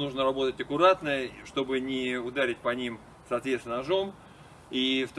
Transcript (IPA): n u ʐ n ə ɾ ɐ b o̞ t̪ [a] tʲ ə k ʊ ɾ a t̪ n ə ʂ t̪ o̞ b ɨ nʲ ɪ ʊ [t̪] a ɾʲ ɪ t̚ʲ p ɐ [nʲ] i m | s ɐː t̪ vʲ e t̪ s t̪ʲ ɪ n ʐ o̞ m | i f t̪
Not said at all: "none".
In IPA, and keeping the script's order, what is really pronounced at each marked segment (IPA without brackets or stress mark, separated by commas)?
ə, d̪, nʲ